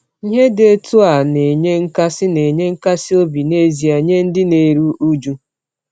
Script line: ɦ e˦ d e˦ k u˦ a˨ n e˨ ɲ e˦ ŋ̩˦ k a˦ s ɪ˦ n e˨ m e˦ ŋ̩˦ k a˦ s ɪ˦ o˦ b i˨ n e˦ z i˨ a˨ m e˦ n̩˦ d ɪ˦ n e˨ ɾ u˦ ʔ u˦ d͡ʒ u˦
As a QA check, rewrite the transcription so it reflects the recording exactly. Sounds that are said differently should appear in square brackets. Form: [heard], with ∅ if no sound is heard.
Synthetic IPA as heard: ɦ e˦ d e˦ [t] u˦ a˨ n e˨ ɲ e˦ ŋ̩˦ k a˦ s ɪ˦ n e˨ [ɲ] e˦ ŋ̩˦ k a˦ s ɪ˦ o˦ b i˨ n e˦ z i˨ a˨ [ɲ] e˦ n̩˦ d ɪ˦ n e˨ ɾ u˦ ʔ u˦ d͡ʒ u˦